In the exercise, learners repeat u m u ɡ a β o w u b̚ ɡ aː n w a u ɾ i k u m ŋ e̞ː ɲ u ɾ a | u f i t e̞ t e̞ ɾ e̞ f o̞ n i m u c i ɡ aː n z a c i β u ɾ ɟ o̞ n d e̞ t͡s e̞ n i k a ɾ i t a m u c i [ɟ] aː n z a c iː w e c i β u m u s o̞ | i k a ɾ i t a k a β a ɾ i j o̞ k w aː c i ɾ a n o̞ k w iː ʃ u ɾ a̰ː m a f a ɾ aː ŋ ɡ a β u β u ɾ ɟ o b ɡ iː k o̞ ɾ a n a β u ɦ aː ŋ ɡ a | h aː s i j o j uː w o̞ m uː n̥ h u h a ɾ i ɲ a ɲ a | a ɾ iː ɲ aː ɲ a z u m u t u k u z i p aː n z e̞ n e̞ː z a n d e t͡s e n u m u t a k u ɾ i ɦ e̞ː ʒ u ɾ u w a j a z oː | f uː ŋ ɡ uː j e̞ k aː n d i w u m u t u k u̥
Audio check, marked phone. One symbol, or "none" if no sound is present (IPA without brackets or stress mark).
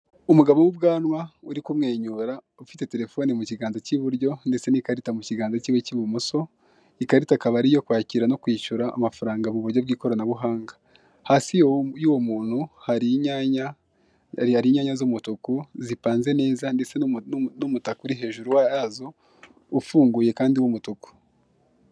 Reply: ɡ